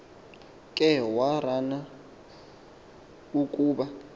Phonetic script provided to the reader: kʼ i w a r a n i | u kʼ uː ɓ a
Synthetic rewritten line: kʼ ɛ w a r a n a | u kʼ uː ɓ a